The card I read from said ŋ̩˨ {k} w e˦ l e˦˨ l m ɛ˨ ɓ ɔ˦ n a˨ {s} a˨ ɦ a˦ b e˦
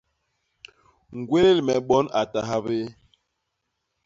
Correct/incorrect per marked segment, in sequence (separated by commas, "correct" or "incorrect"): incorrect, incorrect